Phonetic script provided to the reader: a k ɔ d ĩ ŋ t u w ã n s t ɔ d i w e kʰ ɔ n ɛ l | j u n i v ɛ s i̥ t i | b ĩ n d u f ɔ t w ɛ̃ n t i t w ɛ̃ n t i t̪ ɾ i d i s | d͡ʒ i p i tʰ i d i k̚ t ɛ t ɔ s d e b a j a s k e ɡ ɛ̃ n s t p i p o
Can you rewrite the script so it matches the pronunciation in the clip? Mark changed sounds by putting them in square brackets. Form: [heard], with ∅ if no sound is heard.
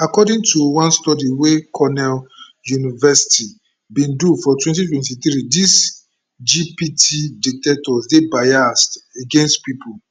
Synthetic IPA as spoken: a k ɔ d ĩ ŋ t u w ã n s t ɔ d i w e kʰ ɔ n ɛ l | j u n i v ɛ s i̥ t i | b ĩ n d u f ɔ t w ɛ̃ n t i t w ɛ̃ n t i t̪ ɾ i d i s | d͡ʒ i p i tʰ i d i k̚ t ɛ t ɔ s d e b a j a s [t] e ɡ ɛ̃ n s t p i p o